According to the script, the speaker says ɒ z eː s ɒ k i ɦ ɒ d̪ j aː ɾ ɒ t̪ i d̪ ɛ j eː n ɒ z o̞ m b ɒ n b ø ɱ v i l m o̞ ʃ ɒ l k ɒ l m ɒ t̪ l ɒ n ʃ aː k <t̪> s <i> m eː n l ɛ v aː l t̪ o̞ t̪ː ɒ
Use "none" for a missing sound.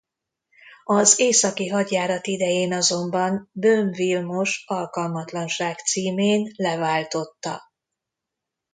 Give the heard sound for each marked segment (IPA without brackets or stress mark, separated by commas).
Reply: t̪, iː